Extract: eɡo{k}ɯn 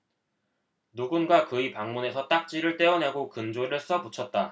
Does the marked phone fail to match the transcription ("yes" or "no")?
no